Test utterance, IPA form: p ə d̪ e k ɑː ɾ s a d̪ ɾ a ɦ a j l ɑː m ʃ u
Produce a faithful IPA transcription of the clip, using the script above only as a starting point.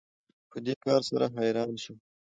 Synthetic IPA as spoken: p ə d̪ e k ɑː ɾ s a ɾ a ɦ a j ɾ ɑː n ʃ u

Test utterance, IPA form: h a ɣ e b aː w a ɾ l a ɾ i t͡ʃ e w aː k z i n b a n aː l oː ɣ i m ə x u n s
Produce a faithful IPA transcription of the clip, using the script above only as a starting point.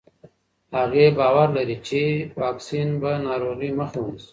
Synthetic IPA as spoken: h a ɣ e b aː w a ɾ l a ɾ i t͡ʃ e w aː k s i n b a n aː ɾ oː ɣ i m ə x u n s

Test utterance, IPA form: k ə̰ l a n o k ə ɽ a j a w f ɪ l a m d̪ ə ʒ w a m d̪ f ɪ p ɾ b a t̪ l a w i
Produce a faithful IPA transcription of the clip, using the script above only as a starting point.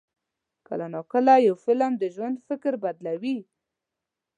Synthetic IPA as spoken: k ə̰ l a n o k ə l a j a w f ɪ l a m d̪ ə ʒ w a n d̪ f ɪ k ɾ b a d̪ l a w i

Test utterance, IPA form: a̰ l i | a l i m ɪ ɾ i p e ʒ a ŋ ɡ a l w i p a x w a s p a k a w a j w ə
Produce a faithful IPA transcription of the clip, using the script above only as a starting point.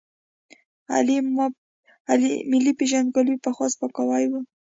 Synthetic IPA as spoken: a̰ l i | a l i m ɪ l i p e ʒ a n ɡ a l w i p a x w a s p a k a w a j w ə

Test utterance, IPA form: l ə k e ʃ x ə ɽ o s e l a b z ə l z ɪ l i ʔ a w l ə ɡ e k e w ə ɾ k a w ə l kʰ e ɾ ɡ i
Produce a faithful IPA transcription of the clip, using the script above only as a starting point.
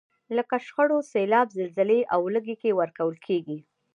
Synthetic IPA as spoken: l ə k a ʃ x ə ɽ o s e l ɑ b z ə l z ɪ l e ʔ a w l ə ɡ e k e w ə ɾ k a w ə l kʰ e ɡ i

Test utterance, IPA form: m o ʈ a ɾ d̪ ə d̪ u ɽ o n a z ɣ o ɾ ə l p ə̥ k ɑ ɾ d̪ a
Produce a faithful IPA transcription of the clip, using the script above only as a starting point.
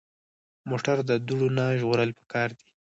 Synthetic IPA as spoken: m o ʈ a ɾ d̪ ə d̪ u ɽ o n a ʒ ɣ o ɾ ə l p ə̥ k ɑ ɾ d̪ i

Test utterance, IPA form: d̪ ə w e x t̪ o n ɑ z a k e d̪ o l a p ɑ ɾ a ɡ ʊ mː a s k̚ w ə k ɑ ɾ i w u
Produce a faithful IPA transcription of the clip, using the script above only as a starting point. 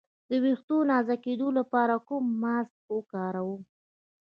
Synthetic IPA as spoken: d̪ ə w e x t̪ o n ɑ z a k e d̪ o l a p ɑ ɾ a k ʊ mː a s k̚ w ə k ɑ ɾ a w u

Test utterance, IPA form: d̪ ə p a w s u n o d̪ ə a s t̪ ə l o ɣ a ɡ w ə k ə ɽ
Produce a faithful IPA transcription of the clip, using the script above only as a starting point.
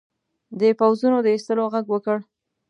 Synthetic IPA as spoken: d̪ ə p a w z u n o d̪ ə i s t̪ ə l o ɣ a ɡ w ə k ə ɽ

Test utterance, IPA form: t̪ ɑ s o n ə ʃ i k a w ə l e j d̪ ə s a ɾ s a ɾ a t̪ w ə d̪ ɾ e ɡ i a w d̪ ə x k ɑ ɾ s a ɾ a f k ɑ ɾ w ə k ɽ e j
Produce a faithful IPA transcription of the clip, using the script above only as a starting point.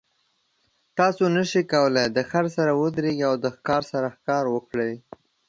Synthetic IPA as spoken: t̪ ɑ s o n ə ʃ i k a w ə l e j d̪ ə x a ɾ s a ɾ a w ə d̪ ɾ e ɡ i a w d̪ ə x k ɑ ɾ s a ɾ a x k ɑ ɾ w ə k ɽ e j

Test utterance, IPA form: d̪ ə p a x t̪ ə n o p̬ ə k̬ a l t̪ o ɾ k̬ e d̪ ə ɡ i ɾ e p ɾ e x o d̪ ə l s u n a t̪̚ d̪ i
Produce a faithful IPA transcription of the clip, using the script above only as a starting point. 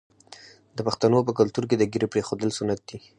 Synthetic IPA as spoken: d̪ ə p a x t̪ a n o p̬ ə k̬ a l t̪ u ɾ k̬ e d̪ ə ɡ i ɾ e p ɾ e x o d̪ ə l s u n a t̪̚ d̪ i

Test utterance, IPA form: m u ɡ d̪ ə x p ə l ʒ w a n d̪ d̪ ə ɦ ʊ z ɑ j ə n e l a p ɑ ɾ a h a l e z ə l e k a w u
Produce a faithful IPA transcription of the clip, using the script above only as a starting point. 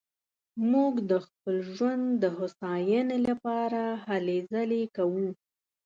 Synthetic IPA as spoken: m u ɡ d̪ ə x p ə l ʒ w a n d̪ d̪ ə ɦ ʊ s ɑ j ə n e l a p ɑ ɾ a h a l e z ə l e k a w u

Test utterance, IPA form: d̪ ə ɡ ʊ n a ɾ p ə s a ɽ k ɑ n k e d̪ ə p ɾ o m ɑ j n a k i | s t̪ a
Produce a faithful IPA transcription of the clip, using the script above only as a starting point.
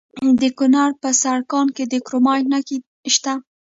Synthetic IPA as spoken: d̪ ə k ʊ n a ɾ p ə s a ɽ k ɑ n k e d̪ ə k ɾ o m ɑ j n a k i | ʃ t̪ a

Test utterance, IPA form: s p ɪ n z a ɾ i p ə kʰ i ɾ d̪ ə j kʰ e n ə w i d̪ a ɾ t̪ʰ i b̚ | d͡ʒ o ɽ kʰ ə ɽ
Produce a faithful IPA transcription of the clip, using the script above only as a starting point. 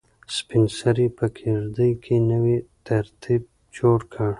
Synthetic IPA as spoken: s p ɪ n s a ɾ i p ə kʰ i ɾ d̪ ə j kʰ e n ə w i t̪ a ɾ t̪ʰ i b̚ | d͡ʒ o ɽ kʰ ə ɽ

